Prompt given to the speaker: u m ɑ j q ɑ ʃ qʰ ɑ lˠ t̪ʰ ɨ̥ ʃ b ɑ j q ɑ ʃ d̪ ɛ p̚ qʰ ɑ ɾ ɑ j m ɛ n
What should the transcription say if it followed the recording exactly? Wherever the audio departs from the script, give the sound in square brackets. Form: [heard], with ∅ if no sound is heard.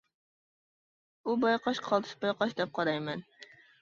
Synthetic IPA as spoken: u [b] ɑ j q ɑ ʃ qʰ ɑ lˠ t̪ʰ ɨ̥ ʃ b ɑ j q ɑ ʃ d̪ ɛ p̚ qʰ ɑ ɾ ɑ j m ɛ n